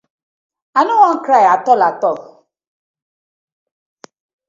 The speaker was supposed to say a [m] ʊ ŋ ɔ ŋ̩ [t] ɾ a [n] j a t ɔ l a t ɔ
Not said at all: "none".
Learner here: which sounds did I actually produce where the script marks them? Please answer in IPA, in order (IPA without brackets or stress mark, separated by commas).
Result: n, k, none